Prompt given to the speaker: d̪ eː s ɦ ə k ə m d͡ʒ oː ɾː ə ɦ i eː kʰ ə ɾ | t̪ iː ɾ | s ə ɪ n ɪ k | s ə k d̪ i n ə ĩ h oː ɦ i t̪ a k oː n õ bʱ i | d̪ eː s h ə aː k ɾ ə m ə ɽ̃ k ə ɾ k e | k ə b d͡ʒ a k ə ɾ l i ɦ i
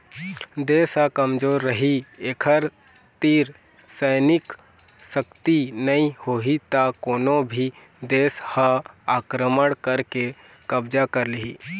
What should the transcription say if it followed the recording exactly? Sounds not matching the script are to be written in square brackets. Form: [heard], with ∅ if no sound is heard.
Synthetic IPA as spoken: d̪ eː s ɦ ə k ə m d͡ʒ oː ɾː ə ɦ i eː kʰ ə ɾ | t̪ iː ɾ | s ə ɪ n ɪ k | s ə k [t̪] i n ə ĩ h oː ɦ i t̪ a k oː n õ bʱ i | d̪ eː s h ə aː k ɾ ə m ə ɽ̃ k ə ɾ k e | k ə b d͡ʒ a k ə ɾ l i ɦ i